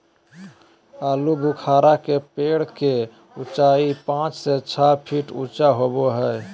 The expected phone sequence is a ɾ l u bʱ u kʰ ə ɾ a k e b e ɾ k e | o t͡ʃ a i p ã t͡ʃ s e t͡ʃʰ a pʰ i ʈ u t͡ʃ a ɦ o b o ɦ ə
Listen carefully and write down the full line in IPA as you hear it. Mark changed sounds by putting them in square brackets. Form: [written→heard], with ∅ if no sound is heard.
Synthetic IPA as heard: a [ɾ→∅] l u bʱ u kʰ [ə→a] ɾ a k e [b→p] e [ɾ→ɽ] k e | [o→u] t͡ʃ a i p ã t͡ʃ s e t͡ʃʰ a pʰ i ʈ u t͡ʃ a ɦ o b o ɦ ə

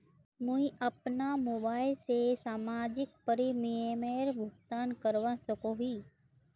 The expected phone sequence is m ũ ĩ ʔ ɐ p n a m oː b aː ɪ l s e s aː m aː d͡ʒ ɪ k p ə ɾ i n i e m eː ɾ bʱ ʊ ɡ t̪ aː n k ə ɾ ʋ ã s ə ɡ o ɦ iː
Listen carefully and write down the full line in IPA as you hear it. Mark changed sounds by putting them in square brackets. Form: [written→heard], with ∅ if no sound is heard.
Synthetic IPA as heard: m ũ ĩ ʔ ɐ p n a m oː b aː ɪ l s e s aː m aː d͡ʒ ɪ k p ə ɾ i [n→m] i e m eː ɾ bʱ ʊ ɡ t̪ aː n k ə ɾ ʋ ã s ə [ɡ→k] o ɦ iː

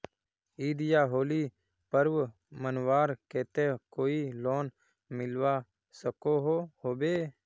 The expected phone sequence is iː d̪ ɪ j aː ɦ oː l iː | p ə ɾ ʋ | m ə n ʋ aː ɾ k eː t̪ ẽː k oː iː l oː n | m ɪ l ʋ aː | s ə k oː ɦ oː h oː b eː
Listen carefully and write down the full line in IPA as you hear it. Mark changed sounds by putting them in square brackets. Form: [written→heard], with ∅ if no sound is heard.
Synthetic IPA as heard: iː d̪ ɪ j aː ɦ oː l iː | p ə ɾ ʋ | m ə n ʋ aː ɾ k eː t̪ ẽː k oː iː l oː n | m ɪ l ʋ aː | s ə k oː ɦ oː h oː b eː

